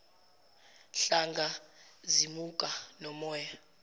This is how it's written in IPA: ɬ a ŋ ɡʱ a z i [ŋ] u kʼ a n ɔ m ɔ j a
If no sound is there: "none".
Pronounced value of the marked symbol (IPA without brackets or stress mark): m